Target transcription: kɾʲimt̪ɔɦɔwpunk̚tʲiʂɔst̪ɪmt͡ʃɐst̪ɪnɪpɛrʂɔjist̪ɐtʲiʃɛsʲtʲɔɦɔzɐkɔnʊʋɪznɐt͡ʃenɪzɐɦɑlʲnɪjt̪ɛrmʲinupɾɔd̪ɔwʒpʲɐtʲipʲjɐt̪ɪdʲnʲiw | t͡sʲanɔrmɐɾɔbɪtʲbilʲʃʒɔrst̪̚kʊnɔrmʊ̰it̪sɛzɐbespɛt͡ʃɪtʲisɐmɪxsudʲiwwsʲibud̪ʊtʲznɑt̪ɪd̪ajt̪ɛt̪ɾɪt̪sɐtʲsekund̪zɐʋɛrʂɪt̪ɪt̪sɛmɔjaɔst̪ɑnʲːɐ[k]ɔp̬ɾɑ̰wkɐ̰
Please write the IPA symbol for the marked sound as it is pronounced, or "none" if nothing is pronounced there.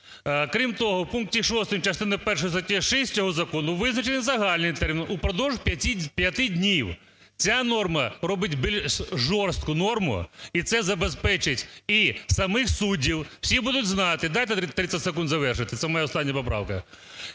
p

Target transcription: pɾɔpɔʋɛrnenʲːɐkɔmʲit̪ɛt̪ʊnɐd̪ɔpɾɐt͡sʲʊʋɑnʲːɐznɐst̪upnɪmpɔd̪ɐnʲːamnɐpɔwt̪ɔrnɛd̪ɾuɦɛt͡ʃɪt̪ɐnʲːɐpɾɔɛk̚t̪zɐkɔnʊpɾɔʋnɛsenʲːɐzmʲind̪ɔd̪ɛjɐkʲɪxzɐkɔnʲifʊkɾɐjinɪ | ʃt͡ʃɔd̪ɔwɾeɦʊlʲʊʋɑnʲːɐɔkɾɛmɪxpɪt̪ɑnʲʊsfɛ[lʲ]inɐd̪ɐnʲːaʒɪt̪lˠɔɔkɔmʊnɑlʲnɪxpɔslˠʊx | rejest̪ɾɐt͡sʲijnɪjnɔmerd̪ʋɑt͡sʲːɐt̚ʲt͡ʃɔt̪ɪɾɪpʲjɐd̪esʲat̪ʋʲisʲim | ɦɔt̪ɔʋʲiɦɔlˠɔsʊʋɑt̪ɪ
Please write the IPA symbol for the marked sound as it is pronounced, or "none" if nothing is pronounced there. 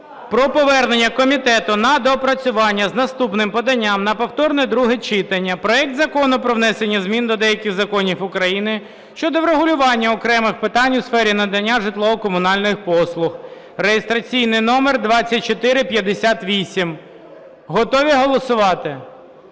ɾʲ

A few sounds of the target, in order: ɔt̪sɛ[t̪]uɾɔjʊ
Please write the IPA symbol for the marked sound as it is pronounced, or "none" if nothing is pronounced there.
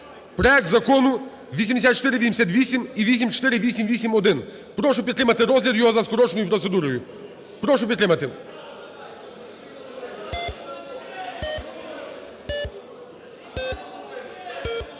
d̪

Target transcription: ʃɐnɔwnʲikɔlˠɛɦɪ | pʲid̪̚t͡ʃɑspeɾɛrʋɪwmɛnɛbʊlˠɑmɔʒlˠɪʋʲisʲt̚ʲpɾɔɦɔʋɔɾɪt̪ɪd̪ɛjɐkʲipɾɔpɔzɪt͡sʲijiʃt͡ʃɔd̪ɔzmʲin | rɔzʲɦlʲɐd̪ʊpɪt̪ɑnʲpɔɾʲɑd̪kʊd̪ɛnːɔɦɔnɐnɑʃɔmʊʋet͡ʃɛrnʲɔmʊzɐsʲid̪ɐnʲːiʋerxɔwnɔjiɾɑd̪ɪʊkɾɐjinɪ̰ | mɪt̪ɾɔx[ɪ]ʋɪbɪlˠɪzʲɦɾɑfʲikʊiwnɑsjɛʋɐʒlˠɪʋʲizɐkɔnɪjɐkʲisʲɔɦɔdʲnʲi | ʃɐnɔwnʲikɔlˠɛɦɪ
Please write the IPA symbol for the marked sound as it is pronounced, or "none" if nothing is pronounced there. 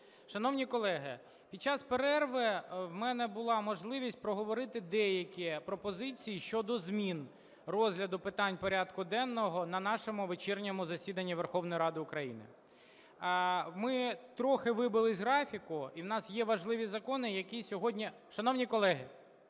ɪ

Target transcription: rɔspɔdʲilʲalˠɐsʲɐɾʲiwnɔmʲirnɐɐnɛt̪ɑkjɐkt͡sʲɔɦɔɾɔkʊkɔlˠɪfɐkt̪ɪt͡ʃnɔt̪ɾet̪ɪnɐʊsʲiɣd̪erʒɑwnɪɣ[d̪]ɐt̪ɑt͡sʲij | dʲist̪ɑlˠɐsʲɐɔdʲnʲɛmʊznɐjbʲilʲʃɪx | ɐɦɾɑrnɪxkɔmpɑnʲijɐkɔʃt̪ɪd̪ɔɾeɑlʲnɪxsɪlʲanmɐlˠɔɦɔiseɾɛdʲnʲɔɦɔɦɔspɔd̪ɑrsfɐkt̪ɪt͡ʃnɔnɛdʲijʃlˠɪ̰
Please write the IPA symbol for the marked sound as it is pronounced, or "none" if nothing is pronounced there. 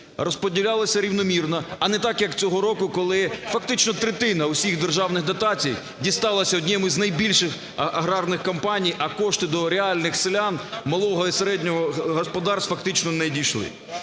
d̪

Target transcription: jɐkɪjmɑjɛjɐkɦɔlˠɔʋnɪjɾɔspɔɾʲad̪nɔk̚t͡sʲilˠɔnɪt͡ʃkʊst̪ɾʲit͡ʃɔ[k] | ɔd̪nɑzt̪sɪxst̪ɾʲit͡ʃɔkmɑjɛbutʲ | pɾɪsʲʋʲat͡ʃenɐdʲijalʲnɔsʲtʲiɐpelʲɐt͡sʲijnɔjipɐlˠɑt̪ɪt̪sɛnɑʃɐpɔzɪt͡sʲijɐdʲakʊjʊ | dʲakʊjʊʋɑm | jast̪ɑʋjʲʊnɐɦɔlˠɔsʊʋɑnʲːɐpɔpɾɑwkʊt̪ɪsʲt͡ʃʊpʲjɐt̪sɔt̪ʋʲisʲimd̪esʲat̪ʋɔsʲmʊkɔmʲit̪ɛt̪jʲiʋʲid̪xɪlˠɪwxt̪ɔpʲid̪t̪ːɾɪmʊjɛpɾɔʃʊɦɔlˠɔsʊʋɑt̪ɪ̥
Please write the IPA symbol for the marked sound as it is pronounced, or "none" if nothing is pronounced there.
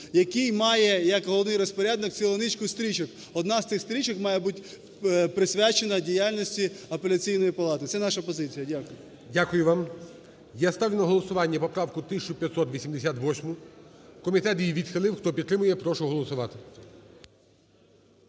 k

